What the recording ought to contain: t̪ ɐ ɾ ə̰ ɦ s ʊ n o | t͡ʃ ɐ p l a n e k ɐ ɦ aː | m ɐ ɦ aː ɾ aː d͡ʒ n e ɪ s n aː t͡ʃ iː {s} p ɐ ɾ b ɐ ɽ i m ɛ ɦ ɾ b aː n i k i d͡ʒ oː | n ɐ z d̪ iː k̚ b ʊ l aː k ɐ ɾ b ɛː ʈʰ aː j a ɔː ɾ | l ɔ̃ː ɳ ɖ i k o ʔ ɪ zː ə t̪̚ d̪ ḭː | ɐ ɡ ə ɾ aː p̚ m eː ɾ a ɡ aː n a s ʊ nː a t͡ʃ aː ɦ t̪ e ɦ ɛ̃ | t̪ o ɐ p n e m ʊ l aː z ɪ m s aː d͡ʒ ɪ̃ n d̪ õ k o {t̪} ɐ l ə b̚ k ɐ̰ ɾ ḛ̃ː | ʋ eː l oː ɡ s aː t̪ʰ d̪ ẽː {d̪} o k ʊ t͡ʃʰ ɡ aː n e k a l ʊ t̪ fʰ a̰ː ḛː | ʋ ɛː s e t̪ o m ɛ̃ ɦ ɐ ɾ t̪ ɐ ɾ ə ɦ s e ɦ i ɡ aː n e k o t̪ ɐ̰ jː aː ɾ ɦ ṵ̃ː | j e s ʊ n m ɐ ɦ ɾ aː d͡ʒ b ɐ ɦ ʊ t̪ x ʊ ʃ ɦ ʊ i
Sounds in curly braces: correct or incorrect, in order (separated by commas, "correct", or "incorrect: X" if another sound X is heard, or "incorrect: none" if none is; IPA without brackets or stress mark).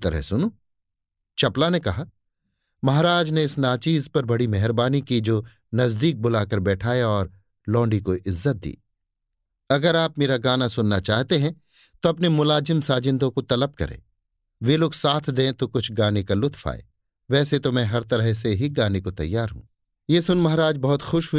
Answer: incorrect: z, correct, incorrect: t̪